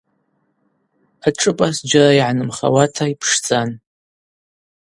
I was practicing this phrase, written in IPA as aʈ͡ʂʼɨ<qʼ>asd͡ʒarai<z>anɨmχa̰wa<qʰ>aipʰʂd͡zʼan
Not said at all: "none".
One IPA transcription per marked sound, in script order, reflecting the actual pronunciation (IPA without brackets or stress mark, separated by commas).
pʼ, ʕ, tʰ